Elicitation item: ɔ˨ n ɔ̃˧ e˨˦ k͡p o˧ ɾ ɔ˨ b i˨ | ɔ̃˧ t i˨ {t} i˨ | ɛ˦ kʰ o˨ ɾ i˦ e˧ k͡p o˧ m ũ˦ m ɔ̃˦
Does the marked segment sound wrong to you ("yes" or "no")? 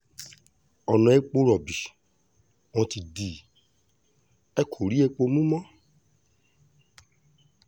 yes